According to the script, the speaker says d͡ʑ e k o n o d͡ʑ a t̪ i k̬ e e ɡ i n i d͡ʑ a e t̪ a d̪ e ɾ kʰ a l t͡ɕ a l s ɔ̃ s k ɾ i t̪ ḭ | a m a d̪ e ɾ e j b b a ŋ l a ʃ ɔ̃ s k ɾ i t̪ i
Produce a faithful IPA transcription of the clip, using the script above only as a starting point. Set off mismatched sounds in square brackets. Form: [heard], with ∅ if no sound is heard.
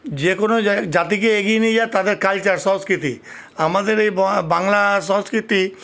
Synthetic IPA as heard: d͡ʑ e k o n o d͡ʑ a t̪ i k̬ e e ɡ i n i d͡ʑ a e t̪ a d̪ e ɾ [k] a l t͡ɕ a [ɾ] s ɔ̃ s k ɾ i t̪ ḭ | a m a d̪ e ɾ e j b b a ŋ l a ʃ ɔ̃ s k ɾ i t̪ i